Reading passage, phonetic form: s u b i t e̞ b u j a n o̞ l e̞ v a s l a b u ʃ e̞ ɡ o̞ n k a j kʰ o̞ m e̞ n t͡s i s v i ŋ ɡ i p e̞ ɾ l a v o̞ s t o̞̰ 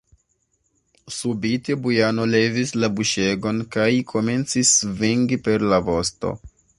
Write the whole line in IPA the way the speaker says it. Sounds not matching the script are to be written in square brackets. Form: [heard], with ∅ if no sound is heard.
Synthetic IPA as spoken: s u b i t e̞ b u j a n o̞ l e̞ v [i] s l a b u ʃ e̞ ɡ o̞ n k a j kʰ o̞ m e̞ n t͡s i s v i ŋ ɡ i p e̞ ɾ l a v o̞ s t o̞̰